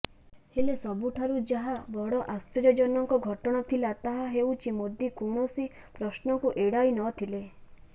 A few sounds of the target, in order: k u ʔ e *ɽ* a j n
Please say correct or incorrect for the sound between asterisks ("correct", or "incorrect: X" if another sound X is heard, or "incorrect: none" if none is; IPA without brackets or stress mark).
correct